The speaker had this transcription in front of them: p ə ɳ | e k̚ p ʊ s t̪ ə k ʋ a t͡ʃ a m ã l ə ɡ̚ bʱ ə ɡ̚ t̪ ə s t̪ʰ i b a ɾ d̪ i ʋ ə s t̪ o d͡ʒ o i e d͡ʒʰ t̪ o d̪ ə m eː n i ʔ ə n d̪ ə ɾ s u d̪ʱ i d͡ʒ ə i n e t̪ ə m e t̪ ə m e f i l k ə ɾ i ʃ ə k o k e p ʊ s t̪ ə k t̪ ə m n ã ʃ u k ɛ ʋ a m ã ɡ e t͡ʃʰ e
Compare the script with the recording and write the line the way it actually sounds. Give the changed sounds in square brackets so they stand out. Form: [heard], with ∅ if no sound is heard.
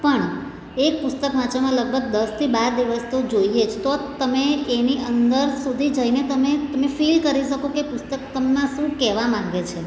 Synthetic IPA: p ə ɳ | e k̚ p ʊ s t̪ ə k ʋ a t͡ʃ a m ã l ə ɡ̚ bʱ ə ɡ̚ [d̪] ə s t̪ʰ i b a ɾ d̪ i ʋ ə s t̪ o d͡ʒ o i e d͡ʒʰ t̪ o [t̪] ə m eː n i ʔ ə n d̪ ə ɾ s u d̪ʱ i d͡ʒ ə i n e t̪ ə m e t̪ ə m e f i l k ə ɾ i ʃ ə k o k e p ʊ s t̪ ə k t̪ ə m n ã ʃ [ũ] k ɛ ʋ a m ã ɡ e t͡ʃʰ e